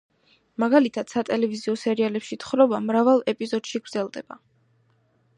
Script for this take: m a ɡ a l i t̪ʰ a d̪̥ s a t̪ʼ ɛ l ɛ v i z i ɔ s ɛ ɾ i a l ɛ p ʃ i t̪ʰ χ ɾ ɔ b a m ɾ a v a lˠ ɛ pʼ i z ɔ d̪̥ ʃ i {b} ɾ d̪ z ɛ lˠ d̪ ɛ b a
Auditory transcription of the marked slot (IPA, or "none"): ɡ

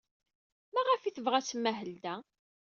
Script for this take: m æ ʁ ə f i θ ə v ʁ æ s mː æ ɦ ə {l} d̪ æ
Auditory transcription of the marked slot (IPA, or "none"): l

